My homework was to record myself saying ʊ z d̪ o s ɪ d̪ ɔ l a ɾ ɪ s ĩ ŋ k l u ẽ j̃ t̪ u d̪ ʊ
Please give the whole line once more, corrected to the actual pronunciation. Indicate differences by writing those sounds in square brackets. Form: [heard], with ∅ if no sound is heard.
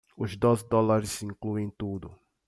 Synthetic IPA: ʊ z d̪ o [z] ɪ d̪ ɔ l a ɾ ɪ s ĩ ŋ k l u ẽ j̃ t̪ u d̪ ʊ